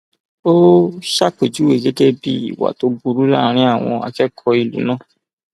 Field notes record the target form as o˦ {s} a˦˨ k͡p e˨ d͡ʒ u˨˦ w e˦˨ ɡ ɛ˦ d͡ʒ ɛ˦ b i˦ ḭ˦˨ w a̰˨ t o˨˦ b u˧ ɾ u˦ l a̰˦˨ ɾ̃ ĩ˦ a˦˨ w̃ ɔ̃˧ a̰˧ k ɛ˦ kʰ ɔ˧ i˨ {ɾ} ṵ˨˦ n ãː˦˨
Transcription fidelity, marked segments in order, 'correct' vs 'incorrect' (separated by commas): incorrect, incorrect